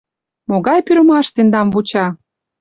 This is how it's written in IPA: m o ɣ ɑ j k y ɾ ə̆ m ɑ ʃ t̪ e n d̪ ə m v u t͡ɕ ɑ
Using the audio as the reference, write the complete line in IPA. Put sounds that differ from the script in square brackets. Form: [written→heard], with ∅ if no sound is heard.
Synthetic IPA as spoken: m o ɣ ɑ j [k→p] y ɾ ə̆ m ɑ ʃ t̪ e n d̪ [ə→ɑ] m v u t͡ɕ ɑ